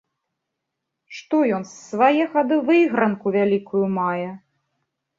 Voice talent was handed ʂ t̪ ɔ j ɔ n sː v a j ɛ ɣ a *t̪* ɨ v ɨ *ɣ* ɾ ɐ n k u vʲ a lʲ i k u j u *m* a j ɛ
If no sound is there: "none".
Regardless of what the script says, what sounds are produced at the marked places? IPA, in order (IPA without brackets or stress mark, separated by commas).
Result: d̪, ɣ, m